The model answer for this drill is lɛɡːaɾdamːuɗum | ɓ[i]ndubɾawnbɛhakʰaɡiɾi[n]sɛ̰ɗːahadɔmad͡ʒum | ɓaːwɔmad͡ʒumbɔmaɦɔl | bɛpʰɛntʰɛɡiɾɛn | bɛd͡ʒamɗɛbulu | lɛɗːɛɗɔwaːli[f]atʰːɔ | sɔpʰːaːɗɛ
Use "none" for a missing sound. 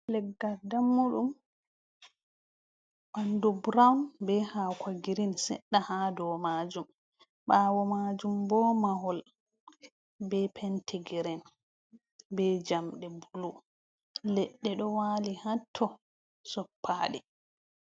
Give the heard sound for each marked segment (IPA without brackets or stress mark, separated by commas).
a, n, h